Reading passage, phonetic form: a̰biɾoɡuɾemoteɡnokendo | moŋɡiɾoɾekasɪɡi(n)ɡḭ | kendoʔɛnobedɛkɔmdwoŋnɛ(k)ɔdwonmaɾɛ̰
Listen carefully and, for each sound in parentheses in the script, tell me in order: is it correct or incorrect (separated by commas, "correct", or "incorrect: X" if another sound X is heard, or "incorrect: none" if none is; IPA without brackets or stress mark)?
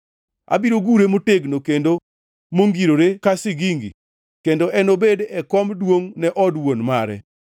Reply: incorrect: ŋ, incorrect: ʔ